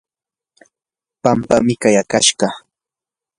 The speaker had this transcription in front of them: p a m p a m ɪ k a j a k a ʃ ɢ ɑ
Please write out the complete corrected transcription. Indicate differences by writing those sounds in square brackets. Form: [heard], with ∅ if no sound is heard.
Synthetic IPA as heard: p a m p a m ɪ k a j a k a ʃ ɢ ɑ